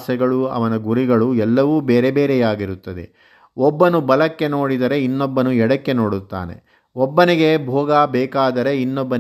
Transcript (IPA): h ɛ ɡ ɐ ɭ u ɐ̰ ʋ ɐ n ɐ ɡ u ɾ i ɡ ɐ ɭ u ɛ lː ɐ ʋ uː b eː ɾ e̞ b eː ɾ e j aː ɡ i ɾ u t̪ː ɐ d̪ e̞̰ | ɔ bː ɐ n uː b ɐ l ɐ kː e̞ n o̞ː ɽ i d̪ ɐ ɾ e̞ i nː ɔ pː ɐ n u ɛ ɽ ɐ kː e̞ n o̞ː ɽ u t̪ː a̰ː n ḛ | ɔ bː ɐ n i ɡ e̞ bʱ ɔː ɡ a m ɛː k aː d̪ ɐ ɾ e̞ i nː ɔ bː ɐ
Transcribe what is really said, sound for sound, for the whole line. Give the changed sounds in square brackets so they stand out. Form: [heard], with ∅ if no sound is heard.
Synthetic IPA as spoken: [s] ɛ ɡ ɐ ɭ u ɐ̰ ʋ ɐ n ɐ ɡ u ɾ i ɡ ɐ ɭ u ɛ lː ɐ ʋ uː b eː ɾ e̞ b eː ɾ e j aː ɡ i ɾ u t̪ː ɐ d̪ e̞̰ | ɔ bː ɐ n [u] b ɐ l ɐ kː e̞ n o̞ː ɽ i d̪ ɐ ɾ e̞ i nː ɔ [bː] ɐ n u ɛ ɽ ɐ kː e̞ n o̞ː ɽ u t̪ː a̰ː n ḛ | ɔ bː ɐ n i ɡ e̞ bʱ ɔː ɡ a [b] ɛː k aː d̪ ɐ ɾ e̞ i nː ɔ bː ɐ